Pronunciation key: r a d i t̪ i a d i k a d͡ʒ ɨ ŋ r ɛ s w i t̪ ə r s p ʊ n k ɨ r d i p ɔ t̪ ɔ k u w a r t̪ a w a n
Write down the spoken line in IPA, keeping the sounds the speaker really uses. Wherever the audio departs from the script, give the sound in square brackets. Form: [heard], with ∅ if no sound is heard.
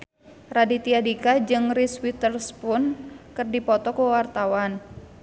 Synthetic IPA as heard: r a d i t̪ i a d i k a d͡ʒ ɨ ŋ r [i] s w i t̪ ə r s p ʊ n k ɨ r d i p ɔ t̪ ɔ k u w a r t̪ a w a n